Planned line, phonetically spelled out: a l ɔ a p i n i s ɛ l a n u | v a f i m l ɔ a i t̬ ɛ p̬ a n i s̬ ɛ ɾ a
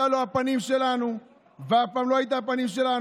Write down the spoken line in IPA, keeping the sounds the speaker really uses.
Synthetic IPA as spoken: a l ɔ a p a n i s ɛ l a n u | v a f a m l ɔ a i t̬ a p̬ a n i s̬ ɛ l a